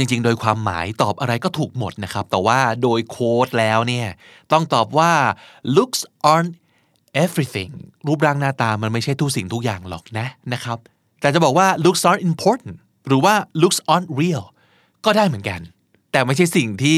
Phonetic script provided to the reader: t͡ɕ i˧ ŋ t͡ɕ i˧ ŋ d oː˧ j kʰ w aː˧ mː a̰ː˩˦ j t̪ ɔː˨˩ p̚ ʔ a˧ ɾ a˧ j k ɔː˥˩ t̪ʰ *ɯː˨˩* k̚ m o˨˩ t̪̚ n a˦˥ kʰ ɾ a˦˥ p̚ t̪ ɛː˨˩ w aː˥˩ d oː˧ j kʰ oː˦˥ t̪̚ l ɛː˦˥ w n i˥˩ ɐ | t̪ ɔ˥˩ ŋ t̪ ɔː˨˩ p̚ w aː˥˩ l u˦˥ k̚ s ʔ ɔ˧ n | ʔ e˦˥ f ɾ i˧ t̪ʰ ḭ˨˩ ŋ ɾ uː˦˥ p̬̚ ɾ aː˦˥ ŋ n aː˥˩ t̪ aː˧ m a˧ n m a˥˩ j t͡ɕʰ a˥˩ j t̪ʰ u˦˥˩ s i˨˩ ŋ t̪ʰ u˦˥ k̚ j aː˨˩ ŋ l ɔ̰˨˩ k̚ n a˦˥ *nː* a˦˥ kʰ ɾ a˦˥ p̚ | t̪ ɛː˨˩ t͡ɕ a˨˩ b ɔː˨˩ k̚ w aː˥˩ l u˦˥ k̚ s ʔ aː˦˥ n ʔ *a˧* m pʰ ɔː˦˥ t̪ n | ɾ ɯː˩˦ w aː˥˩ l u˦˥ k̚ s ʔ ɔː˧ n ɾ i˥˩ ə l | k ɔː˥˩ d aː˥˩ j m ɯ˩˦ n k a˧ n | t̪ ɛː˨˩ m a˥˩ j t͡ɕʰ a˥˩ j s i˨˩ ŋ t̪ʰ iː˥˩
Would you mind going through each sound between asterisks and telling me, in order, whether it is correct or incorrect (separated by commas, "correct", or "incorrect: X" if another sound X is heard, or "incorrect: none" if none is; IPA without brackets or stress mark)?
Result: incorrect: uː˨˩, incorrect: n, incorrect: i˧